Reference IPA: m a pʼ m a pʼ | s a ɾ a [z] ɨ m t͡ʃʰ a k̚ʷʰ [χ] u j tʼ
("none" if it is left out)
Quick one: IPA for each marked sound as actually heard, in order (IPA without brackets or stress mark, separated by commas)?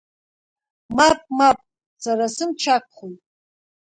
s, χ